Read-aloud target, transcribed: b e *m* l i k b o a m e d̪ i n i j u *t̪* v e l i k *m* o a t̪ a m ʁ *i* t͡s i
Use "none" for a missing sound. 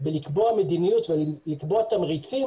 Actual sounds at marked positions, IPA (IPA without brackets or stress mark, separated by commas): none, t̪, b, i